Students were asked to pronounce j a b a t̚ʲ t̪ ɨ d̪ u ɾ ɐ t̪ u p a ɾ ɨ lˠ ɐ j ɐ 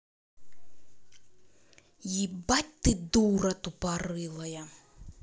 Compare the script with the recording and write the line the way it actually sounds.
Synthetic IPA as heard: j i b a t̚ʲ t̪ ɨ d̪ u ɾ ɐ t̪ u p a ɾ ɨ lˠ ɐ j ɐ